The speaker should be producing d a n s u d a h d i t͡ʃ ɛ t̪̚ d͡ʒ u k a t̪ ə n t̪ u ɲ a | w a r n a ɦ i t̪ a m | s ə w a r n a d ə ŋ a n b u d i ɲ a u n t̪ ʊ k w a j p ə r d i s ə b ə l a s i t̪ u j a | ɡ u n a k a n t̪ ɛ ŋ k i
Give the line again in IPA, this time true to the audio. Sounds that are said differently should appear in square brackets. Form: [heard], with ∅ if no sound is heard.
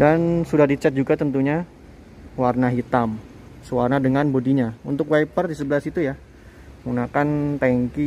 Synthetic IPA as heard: d a n s u d a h d i t͡ʃ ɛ t̪̚ d͡ʒ u [ɡ] a t̪ ə n t̪ u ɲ a | w a r n a ɦ i t̪ a m | s ə w a r n a d ə ŋ a n b [o] d i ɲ a u n t̪ ʊ k w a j p ə r d i s ə b ə l a s i t̪ u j a | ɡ u n a k a n t̪ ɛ ŋ k i